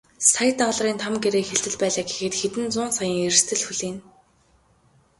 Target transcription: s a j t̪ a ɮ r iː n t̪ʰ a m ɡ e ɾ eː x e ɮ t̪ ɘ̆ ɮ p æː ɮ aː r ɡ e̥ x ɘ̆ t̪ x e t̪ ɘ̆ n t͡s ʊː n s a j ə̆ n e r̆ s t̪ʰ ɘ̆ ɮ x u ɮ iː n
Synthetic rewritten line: s a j t̪ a ɮ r iː n t̪ʰ a m ɡ e ɾ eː x e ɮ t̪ ɘ̆ ɮ p æː ɮ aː ɡ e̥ x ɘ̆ t̪ x e t̪ ɘ̆ n t͡s ʊː n s a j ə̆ ŋ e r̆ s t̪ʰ ɘ̆ ɮ x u ɮ iː n

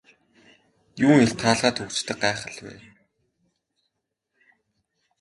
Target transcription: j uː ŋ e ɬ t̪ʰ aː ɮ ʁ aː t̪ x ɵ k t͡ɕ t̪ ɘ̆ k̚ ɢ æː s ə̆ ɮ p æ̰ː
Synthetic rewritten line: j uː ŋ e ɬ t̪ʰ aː ɮ ʁ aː t̪ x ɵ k t͡ɕ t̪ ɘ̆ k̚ ɢ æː χ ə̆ ɮ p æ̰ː

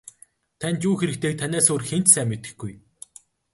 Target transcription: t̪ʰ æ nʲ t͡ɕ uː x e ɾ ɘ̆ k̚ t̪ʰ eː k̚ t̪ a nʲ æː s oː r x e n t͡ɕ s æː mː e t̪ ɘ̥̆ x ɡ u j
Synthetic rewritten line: t̪ʰ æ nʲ t͡ɕ uː x e ɾ ɘ̆ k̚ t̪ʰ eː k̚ t̪ʰ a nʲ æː s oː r x e n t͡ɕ s æː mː e t̪ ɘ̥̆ x ɡ u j

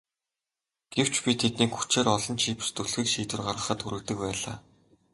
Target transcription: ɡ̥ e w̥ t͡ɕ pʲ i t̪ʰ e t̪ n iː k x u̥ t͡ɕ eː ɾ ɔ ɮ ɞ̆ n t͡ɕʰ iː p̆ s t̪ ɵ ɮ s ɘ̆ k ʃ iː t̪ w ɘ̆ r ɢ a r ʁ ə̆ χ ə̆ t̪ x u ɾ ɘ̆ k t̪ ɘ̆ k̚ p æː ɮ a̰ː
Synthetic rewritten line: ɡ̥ e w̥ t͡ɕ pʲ i t̪ʰ e t̪ n iː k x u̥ t͡ɕ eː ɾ ɔ ɮ ɞ̆ n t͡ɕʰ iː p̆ s t̪ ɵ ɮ x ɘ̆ k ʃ iː t̪ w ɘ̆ r ɢ a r ʁ ə̆ χ ə̆ t̪ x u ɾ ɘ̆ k t̪ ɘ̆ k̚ p æː ɮ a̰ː

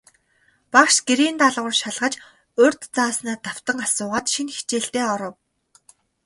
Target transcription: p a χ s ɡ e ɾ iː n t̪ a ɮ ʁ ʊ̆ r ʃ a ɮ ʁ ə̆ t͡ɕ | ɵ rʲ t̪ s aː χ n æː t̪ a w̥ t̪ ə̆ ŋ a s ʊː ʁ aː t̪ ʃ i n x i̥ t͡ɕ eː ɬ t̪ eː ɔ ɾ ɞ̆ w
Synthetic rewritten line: p a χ ʃ ɡ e ɾ iː n t̪ a ɮ ʁ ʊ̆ r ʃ a ɮ ʁ ə̆ t͡ɕ | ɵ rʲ t̪ t͡s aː s n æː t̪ a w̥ t̪ ə̆ ŋ a s ʊː ʁ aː t̪ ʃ i n x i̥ t͡ɕ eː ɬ t̪ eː ɔ ɾ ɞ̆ w

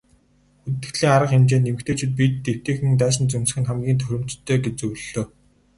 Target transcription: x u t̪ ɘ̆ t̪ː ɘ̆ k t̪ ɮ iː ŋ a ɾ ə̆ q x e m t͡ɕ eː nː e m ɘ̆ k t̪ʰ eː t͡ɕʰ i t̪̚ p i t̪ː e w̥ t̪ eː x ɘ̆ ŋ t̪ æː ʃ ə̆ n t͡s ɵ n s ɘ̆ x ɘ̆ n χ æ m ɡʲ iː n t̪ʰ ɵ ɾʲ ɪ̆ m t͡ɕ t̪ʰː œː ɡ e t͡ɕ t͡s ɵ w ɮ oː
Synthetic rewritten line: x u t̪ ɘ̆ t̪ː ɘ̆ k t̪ ɮ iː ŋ a ɾ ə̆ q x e m t͡ɕ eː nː e m ɘ̆ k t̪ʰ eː t͡ɕʰ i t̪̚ p i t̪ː e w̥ t̪ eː x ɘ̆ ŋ t̪ æː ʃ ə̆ n t͡s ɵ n s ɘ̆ x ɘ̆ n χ æ m ɡʲ iː n t̪ʰ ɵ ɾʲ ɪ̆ m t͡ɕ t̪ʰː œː ɡ e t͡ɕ t͡s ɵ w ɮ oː

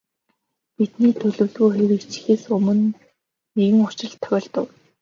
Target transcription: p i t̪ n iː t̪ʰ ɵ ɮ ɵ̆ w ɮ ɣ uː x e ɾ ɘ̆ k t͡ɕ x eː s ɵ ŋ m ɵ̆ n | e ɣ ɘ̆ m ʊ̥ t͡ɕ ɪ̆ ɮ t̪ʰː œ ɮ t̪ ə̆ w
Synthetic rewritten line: p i t̪ n iː t̪ʰ ɵ ɮ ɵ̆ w ɮ ɣ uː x e ɾ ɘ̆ k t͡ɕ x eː s ɵ m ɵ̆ n | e ɣ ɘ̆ ŋ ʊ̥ t͡ɕ ɪ̆ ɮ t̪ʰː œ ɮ t̪ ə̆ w

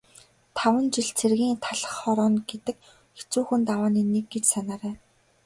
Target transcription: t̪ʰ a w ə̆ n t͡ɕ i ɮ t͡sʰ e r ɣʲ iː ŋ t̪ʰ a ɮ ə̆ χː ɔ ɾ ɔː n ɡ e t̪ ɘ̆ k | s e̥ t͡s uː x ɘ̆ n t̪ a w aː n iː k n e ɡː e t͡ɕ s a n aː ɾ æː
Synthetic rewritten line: t̪ʰ a w ə̆ n t͡ɕ i ɮ t͡sʰ e r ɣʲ iː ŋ t̪ʰ a ɮ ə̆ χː ɔ ɾ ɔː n ɡ e t̪ ɘ̆ k | x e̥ t͡s uː x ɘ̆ n t̪ a w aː n iː n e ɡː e t͡ɕ s a n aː ɾ æː

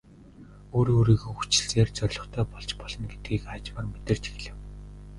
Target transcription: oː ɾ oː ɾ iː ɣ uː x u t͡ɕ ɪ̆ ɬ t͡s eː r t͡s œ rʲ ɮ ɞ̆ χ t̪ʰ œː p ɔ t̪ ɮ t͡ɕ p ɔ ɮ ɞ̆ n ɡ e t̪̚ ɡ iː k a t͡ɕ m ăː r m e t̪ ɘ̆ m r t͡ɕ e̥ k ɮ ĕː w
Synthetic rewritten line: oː ɾ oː ɾ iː ɣ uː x u t͡ɕ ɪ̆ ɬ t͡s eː r t͡s œ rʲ ɮ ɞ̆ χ t̪ʰ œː p ɔ ɮ t͡ɕ p ɔ ɮ ɞ̆ n ɡ e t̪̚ ɡ iː k a t͡ɕ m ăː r m e t̪ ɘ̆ r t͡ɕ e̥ x ɮ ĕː w

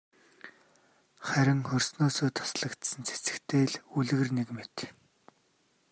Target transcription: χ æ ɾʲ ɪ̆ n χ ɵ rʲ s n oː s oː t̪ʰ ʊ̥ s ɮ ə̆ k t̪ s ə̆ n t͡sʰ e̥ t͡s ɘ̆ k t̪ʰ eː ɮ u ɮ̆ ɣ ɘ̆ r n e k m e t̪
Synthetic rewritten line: χ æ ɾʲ ɪ̆ ŋ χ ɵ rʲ s n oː s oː t̪ʰ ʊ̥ s ɮ ə̆ k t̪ s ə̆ n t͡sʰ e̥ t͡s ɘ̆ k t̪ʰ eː ɮ u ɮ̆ ɣ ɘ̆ r n e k m e t̪

